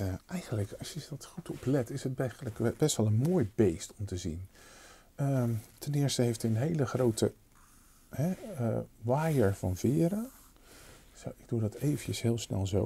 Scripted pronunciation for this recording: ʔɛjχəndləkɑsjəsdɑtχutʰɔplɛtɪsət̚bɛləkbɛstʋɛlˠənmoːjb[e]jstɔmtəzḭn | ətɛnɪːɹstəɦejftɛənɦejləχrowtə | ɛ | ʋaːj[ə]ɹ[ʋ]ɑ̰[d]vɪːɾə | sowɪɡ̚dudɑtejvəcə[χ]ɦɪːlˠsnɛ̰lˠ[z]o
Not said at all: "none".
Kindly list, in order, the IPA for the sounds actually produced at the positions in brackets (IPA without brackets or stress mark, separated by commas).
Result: e, ə, v, n, s, z